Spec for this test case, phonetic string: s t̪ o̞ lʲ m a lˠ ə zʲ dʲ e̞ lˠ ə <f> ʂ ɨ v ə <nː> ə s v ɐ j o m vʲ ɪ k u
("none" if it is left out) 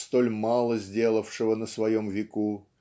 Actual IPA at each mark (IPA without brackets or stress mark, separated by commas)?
f, n